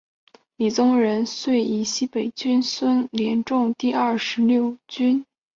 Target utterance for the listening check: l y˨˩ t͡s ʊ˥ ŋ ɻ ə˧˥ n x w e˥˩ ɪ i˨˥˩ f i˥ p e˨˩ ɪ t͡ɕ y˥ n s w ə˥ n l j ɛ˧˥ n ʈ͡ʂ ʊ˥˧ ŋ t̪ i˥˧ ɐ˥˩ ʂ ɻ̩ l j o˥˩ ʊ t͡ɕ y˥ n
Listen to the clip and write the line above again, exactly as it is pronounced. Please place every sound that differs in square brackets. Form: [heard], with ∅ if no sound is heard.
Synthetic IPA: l [i˨˩] t͡s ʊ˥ ŋ ɻ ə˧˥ n [s] w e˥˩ ɪ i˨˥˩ [ɕ] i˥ p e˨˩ ɪ t͡ɕ y˥ n s w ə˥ n l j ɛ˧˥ n ʈ͡ʂ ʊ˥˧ ŋ t̪ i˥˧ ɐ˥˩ ʂ ɻ̩ l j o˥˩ ʊ t͡ɕ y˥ n